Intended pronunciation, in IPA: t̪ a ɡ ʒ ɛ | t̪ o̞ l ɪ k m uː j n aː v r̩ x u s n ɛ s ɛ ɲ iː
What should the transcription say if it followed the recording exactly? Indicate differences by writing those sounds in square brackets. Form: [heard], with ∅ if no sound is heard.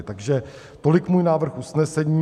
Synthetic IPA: t̪ a ɡ ʒ ɛ | t̪ o̞ l ɪ k m uː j n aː v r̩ x u s n ɛ s ɛ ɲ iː